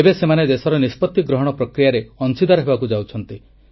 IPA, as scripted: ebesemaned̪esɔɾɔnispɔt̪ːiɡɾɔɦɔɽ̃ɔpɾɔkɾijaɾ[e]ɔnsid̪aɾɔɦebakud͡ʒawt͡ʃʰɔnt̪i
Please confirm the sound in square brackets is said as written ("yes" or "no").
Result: yes